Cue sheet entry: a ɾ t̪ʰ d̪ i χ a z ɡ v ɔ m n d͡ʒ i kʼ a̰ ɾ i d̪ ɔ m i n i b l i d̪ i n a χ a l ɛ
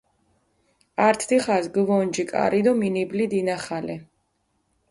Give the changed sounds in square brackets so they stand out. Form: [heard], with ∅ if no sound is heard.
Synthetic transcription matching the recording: a ɾ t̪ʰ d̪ i χ a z ɡ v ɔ [∅] n d͡ʒ i kʼ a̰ ɾ i d̪ ɔ m i n i b l i d̪ i n a χ a l ɛ